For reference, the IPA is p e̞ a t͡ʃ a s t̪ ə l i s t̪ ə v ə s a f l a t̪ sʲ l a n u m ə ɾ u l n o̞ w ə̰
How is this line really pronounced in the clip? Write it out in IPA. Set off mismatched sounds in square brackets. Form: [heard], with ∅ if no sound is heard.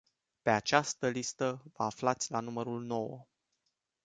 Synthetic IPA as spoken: p e̞ a t͡ʃ a s t̪ ə l i s t̪ ə v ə [∅] a f l a t̪ sʲ l a n u m ə ɾ u l n o̞ w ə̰